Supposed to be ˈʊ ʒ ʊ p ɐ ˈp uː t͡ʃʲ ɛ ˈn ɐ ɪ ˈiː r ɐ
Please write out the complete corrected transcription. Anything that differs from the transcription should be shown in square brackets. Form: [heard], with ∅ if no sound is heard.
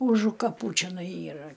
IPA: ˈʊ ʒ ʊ [k] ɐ ˈp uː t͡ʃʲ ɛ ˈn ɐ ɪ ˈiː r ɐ

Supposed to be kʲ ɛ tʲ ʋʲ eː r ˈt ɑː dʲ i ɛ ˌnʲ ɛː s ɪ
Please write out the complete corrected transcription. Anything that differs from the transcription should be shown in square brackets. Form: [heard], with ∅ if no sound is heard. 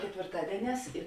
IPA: kʲ ɛ tʲ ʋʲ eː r ˈt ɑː dʲ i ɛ ˌnʲ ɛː s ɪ

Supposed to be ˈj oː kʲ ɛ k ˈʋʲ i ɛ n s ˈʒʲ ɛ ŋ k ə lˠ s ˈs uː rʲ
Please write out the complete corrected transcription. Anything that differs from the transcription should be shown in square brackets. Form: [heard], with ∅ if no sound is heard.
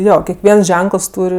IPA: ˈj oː kʲ ɛ k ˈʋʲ i ɛ n s ˈʒʲ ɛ ŋ k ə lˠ s [ˈt] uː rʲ

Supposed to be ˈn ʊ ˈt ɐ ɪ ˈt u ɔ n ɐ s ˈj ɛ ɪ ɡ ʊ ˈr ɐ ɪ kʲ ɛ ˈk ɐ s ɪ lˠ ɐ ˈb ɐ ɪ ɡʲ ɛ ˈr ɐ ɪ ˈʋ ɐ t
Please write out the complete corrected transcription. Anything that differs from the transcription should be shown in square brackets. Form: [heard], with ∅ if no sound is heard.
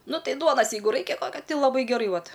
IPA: ˈn ʊ ˈt ɐ ɪ [ˈd] u ɔ n ɐ s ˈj ɛ ɪ ɡ ʊ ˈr ɐ ɪ kʲ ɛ ˈk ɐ [t] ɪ lˠ ɐ ˈb ɐ ɪ ɡʲ ɛ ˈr ɐ ɪ ˈʋ ɐ t

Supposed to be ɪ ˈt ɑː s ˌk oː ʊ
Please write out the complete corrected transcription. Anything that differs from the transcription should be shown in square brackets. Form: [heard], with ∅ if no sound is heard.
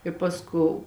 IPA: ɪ [ˈp] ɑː s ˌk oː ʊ

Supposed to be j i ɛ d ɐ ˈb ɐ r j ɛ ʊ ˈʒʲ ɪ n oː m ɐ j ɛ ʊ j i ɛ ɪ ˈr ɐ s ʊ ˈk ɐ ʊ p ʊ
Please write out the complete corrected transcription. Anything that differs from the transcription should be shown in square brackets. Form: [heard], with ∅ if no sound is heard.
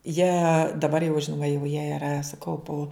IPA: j i ɛ d ɐ ˈb ɐ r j ɛ ʊ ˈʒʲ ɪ n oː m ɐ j ɛ ʊ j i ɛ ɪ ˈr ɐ s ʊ ˈk ɐ ʊ p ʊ

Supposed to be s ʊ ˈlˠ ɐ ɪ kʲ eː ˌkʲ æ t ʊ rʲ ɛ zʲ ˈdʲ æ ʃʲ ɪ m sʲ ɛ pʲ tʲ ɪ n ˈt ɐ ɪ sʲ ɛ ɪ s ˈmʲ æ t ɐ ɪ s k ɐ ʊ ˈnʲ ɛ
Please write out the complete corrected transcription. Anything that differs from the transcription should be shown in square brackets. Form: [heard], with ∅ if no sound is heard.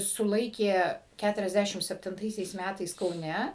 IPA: s ʊ ˈlˠ ɐ ɪ kʲ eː ˌkʲ æ t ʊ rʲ ɛ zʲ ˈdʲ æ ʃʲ ɪ m sʲ ɛ pʲ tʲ ɪ n ˈt ɐ ɪ sʲ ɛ ɪ s ˈmʲ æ t ɐ ɪ s k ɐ ʊ ˈnʲ ɛ

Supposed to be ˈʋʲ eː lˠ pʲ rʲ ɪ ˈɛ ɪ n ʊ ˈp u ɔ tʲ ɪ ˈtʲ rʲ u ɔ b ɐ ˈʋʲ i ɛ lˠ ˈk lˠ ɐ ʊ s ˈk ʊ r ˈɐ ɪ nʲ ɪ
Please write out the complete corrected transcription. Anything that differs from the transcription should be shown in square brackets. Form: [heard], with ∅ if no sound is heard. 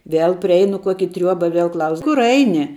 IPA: ˈʋʲ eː lˠ pʲ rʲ ɪ ˈɛ ɪ n ʊ [ˈk] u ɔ [kʲ] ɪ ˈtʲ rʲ u ɔ b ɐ ˈʋʲ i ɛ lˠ ˈk lˠ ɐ ʊ s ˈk ʊ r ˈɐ ɪ nʲ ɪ

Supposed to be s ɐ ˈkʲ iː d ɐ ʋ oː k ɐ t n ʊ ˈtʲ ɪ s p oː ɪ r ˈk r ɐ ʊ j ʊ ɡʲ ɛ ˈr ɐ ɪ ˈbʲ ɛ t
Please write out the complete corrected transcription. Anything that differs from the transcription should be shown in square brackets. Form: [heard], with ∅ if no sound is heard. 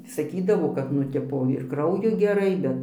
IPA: s ɐ ˈkʲ iː d ɐ ʋ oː k ɐ t n ʊ ˈtʲ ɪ [∅] p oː ɪ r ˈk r ɐ ʊ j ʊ ɡʲ ɛ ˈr ɐ ɪ ˈbʲ ɛ t

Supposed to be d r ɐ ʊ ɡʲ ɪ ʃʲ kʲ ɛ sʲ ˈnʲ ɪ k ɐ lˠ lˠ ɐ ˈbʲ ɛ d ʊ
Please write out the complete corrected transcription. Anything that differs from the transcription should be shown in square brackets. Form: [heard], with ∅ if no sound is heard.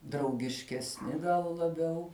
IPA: d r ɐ ʊ ɡʲ ɪ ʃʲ kʲ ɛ sʲ ˈnʲ ɪ [ɡ] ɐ lˠ lˠ ɐ ˈbʲ ɛ [∅] ʊ

